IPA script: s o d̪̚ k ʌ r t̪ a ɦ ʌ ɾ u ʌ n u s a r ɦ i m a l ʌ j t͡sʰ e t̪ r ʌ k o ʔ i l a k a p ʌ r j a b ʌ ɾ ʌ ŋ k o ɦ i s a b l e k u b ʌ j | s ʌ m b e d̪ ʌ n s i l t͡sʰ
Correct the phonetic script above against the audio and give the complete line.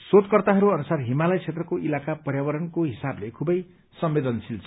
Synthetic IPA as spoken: s o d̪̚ k ʌ r t̪ a ɦ ʌ ɾ u ʌ n u s a r ɦ i m a l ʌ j t͡sʰ e t̪ r ʌ k o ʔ i l a k a p ʌ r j a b ʌ ɾ ʌ n k o ɦ i s a b l e kʰ u b ʌ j | s ʌ m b e d̪ ʌ n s i l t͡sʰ